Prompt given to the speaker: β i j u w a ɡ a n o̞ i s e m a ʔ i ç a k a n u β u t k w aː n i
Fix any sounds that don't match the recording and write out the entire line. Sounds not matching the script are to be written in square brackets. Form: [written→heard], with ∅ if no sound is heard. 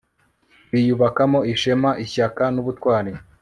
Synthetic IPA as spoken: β i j u [w→β] a [ɡ→k] a [n→m] o̞ i [s→ʃ] e m a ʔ i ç a k a n u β u t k w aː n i